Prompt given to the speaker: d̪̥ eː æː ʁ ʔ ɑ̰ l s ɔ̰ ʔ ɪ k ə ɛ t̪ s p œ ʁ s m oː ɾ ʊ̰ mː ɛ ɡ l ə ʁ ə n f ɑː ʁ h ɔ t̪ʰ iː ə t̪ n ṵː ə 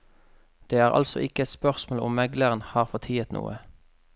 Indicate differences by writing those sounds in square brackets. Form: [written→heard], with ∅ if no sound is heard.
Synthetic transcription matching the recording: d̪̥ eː æː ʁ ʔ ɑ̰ l s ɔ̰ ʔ ɪ k ə ɛ t̪ s p œ ʁ s m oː [ɾ→l] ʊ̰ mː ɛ ɡ l ə ʁ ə n [f→h] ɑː ʁ [h→f] ɔ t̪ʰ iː ə t̪ n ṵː ə